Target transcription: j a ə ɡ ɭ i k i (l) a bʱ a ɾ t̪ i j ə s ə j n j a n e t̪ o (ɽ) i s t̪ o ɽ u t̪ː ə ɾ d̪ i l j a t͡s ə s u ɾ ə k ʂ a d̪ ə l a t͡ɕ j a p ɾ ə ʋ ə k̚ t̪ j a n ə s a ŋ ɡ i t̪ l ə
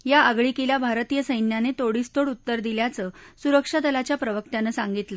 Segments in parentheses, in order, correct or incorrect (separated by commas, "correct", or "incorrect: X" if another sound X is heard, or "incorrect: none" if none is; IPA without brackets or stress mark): correct, correct